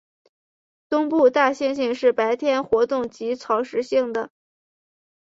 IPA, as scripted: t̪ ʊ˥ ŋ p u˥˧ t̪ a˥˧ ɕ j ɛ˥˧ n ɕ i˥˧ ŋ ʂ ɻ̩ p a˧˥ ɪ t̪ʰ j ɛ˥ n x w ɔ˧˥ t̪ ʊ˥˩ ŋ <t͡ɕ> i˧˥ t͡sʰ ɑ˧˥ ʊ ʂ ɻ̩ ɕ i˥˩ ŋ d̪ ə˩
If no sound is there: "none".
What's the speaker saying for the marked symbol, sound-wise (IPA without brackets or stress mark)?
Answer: t͡ɕ